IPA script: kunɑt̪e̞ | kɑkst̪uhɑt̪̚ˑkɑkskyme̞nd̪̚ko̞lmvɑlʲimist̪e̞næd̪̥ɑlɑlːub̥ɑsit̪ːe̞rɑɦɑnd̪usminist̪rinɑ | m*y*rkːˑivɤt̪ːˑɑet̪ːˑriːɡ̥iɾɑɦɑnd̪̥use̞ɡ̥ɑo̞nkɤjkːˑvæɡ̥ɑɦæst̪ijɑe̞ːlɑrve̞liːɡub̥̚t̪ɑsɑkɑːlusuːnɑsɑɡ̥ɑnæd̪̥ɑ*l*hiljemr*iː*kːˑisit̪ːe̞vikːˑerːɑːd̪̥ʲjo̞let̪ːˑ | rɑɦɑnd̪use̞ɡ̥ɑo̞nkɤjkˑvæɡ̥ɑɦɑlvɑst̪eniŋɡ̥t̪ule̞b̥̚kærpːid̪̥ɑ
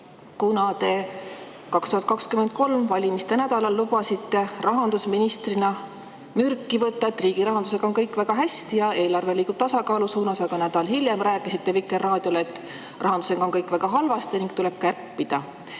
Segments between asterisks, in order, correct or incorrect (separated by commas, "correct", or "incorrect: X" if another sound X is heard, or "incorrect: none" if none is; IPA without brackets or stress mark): correct, correct, incorrect: æː